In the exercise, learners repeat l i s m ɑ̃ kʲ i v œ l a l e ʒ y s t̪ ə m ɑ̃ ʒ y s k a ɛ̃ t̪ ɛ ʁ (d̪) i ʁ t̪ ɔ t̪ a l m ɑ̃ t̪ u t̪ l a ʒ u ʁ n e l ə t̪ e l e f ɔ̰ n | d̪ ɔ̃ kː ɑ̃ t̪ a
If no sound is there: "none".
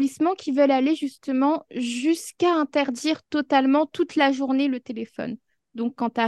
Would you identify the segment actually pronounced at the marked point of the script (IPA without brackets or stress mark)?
d̪